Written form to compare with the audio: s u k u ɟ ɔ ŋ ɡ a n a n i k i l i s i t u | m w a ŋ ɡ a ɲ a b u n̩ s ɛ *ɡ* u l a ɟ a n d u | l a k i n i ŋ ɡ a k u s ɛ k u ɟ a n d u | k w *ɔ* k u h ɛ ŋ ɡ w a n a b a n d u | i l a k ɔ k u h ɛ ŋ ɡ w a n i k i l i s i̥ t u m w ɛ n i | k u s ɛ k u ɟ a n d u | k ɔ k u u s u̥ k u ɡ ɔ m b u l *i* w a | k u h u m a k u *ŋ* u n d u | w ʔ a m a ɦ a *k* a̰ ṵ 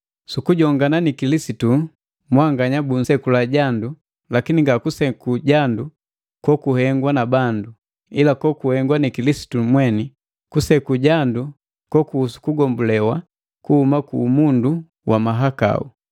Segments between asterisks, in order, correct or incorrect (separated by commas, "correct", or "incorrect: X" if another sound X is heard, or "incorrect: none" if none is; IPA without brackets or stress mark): incorrect: k, correct, incorrect: ɛ, incorrect: m, correct